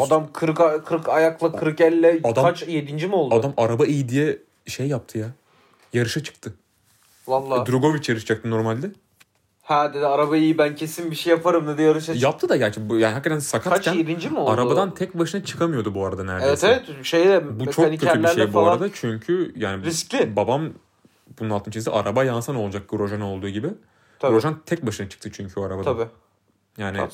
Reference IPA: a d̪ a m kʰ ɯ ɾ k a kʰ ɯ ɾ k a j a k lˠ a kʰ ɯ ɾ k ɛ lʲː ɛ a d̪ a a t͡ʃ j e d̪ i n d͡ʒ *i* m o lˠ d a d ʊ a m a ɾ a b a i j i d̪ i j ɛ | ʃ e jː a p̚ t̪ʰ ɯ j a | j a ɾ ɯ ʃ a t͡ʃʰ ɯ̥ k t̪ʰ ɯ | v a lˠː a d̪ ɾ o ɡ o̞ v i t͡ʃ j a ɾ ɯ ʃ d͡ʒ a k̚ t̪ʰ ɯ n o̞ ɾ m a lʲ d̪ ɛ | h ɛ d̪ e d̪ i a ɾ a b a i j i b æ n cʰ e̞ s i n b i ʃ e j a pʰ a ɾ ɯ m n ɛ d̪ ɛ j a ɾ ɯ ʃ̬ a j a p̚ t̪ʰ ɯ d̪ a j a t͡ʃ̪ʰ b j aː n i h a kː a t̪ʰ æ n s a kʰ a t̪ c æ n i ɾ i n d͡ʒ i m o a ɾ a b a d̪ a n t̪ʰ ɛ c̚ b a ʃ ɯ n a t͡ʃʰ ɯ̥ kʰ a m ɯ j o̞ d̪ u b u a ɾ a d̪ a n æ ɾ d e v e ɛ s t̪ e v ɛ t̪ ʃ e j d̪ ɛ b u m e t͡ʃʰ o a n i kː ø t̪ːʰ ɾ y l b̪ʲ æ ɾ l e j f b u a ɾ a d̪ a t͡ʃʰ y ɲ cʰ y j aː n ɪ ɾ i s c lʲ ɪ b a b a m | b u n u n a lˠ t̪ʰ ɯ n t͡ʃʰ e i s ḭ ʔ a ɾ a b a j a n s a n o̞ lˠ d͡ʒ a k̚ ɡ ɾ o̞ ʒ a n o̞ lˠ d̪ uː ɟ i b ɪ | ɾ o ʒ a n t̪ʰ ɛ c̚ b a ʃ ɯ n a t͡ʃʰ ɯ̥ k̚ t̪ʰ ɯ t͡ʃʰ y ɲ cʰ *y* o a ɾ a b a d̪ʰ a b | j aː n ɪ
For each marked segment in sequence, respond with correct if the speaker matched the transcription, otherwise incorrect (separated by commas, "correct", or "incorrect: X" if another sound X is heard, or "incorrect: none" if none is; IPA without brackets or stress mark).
correct, correct